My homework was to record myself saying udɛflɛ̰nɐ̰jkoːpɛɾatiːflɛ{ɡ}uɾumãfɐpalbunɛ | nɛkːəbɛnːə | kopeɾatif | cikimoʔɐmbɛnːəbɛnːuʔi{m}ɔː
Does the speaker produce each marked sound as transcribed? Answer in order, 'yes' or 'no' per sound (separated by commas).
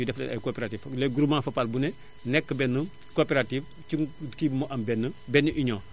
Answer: yes, no